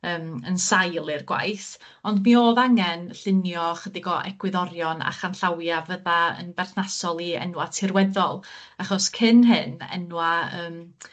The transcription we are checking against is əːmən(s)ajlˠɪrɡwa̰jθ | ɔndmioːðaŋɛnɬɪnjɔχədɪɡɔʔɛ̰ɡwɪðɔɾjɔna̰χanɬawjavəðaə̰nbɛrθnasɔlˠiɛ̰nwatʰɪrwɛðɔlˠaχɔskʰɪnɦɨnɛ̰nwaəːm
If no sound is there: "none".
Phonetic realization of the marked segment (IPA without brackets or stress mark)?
s